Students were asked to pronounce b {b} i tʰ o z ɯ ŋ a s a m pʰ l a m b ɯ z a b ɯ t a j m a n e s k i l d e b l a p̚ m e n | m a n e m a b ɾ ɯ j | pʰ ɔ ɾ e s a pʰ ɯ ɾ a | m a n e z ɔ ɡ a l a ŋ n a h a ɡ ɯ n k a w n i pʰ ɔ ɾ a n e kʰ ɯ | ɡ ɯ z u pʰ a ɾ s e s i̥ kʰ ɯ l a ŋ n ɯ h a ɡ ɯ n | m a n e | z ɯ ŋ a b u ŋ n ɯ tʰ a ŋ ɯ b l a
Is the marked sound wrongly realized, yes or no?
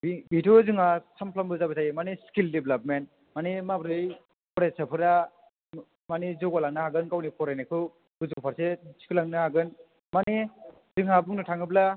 no